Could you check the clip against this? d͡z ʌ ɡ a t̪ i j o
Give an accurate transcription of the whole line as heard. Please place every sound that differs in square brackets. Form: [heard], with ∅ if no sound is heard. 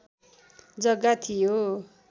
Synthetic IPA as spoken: d͡z ʌ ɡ a [t̪ʰ] i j o